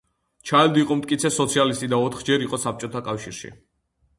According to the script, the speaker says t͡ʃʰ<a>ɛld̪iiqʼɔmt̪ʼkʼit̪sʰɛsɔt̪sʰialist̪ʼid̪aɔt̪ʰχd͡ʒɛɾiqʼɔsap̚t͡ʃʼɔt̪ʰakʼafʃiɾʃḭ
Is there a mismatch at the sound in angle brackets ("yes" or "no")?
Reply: no